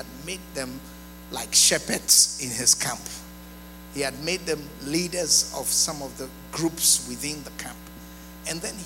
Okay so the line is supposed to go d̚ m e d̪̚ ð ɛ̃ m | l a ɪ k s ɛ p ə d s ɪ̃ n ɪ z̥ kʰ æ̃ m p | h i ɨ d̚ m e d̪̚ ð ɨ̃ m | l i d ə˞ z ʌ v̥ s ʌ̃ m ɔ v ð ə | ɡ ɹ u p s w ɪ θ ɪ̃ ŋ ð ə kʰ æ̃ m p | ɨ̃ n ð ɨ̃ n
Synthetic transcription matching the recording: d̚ m e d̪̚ ð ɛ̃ m | l a ɪ k ʃ ɛ p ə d s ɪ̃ n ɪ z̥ kʰ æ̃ m p | h i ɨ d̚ m e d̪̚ ð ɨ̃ m | l i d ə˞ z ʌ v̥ s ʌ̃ m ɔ v ð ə | ɡ ɹ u p s w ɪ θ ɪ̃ n ð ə kʰ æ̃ m p | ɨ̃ n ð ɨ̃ n